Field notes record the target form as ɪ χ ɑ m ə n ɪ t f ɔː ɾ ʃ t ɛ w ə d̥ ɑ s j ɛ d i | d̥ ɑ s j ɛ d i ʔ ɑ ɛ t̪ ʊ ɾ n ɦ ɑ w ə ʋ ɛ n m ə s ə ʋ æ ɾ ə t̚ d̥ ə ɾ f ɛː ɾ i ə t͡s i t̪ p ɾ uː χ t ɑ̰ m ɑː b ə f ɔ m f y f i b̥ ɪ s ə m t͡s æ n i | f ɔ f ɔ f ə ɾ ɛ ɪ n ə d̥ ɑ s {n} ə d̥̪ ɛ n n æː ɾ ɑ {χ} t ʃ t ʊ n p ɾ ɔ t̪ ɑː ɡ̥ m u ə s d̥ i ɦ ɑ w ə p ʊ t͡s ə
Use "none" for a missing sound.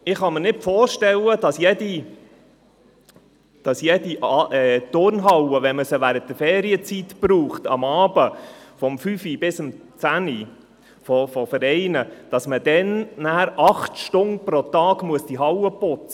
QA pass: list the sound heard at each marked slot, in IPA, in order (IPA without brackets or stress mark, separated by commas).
m, χ